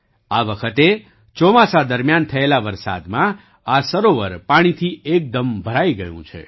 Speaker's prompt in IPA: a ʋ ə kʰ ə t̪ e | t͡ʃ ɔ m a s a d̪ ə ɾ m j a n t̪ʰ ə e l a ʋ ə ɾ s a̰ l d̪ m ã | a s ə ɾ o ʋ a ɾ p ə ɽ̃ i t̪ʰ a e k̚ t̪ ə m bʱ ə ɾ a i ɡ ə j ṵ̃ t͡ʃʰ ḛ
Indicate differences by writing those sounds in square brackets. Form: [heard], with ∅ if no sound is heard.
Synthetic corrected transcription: a ʋ ə kʰ ə t̪ e | t͡ʃ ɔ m a s a d̪ ə ɾ m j a n t̪ʰ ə e l a ʋ ə ɾ s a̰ [∅] d̪ m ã | a s ə ɾ o ʋ [ə] ɾ p [a] ɽ̃ i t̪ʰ [i] e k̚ [d̪] ə m bʱ ə ɾ a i ɡ ə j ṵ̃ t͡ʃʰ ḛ